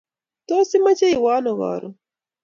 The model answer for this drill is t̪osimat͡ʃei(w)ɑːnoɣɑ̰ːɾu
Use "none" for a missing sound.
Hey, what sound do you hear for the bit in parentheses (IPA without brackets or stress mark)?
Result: w